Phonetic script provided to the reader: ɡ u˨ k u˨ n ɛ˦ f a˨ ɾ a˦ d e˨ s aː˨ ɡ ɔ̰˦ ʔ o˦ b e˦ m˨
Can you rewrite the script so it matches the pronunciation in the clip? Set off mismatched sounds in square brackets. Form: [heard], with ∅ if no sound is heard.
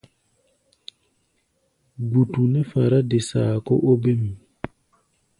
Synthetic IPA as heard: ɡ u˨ [t] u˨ n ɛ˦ f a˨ ɾ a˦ d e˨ s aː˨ [k] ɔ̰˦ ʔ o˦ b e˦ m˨

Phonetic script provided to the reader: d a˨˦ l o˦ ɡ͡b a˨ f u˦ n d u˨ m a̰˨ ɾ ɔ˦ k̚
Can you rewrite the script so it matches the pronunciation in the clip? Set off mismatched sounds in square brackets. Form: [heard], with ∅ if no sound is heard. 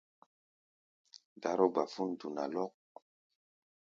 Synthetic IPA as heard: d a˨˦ [ɾ] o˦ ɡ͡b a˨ f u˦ n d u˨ [n] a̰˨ [l] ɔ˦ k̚

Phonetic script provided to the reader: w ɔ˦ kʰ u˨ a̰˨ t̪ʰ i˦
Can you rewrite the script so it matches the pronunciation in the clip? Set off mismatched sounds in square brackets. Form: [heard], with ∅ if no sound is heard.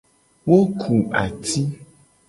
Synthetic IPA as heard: w [o˦] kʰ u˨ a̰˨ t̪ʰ i˦

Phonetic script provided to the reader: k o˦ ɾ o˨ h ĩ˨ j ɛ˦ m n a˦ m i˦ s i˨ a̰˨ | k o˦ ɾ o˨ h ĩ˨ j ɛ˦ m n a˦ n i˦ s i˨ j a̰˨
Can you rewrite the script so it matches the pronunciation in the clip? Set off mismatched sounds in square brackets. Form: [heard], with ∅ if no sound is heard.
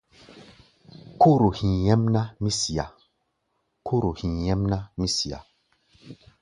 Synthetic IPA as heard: k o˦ ɾ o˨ h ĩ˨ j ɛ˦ m n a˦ m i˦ s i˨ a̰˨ | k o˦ ɾ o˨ h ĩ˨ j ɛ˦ m n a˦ [m] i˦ s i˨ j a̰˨

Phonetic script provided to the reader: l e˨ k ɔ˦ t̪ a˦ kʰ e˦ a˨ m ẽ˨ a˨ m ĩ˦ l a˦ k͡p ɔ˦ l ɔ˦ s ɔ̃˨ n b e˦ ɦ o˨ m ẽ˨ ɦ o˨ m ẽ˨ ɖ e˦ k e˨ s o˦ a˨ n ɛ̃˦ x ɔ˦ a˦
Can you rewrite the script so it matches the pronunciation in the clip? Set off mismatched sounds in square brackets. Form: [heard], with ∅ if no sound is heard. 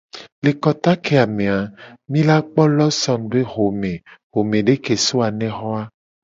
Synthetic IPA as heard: l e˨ k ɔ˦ t̪ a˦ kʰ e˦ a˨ m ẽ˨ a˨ m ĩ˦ l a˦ k͡p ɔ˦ l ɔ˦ s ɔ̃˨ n b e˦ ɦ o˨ m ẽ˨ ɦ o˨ m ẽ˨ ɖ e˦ k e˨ s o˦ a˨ n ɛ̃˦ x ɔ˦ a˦

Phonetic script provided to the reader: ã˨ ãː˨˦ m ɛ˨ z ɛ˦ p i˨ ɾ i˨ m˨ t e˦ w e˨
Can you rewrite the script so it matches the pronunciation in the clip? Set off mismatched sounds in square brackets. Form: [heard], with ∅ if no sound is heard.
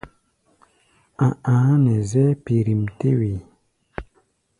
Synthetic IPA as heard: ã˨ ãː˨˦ [n] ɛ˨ z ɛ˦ p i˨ ɾ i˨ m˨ t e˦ w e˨

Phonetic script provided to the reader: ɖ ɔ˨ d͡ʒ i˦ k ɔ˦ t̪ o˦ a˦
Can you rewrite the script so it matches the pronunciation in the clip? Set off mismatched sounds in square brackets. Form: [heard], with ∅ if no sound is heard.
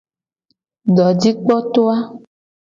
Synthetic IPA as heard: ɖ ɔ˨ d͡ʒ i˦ [k͡p] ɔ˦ t̪ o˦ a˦

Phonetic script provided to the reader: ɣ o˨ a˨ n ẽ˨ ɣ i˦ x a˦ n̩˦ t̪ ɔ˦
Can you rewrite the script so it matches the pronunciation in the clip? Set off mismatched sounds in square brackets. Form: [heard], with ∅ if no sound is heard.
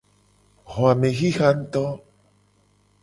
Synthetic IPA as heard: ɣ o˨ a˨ [m] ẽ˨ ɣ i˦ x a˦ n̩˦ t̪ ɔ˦

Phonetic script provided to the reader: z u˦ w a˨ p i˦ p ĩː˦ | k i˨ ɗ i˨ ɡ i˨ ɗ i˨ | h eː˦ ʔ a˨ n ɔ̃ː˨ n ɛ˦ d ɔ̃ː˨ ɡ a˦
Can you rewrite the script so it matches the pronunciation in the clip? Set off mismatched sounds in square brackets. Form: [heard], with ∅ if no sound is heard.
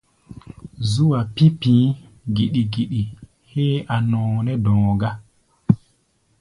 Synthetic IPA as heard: z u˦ w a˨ p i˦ p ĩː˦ | [ɡ] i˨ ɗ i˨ ɡ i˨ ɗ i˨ | h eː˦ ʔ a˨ n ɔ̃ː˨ n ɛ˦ d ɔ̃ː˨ ɡ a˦

